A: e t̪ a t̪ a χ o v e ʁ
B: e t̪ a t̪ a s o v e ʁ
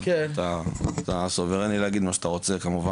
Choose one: B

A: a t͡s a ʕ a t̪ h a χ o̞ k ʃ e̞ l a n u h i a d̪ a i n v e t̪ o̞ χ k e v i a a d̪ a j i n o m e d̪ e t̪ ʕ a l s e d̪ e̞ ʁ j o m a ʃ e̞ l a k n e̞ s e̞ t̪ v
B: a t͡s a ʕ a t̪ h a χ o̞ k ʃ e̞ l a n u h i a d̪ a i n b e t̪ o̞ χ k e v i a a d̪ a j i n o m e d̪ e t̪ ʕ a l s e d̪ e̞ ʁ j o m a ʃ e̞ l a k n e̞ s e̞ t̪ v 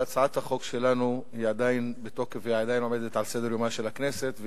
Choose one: B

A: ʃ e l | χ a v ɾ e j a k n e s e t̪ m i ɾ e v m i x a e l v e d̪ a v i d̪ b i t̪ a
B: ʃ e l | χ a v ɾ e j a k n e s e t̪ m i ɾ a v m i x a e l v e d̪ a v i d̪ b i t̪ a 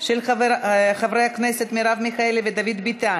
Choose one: B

